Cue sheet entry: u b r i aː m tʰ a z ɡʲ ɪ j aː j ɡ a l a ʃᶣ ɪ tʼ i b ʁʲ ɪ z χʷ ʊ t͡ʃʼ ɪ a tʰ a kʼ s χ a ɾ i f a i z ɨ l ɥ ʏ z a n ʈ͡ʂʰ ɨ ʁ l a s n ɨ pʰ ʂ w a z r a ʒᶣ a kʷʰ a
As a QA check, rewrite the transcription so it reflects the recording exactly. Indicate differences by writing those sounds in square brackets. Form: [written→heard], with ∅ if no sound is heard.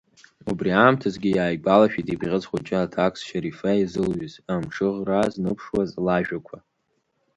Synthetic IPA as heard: u b r i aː m tʰ a z ɡʲ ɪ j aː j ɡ a l a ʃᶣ [ɪ→i] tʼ i b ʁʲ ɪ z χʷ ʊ t͡ʃʼ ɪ a tʰ a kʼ s [χ→ʃ] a ɾ i f a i z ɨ l ɥ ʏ z a [n→m] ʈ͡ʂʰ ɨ ʁ [l→r] a [s→z] n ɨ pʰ ʂ w a z [r→l] a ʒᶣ a kʷʰ a